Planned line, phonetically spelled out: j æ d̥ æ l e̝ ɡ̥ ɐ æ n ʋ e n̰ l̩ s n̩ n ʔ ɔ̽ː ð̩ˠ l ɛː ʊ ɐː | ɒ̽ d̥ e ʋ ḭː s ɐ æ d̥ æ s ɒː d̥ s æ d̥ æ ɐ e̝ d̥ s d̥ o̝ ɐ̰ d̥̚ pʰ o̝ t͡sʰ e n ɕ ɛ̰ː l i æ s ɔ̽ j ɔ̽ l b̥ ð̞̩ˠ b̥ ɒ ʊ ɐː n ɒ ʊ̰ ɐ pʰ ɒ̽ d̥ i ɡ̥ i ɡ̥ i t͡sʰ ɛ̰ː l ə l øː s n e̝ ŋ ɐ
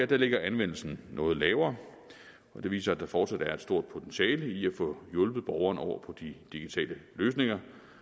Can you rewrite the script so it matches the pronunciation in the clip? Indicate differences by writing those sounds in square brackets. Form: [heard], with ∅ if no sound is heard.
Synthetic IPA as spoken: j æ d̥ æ l e̝ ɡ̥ ɐ æ n ʋ e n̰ l̩ s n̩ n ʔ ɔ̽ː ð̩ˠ l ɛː ʊ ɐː | ɒ̽ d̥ e ʋ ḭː s ɐ æ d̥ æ [f] ɒː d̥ s æ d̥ æ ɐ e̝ d̥ s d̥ o̝ ɐ̰ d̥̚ pʰ o̝ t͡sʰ e n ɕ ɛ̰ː l i æ [f] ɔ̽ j ɔ̽ l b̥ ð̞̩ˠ b̥ ɒ ʊ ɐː n ɒ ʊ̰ ɐ pʰ ɒ̽ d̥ i [d̥] i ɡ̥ i t͡sʰ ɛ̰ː l ə l øː s n e̝ ŋ ɐ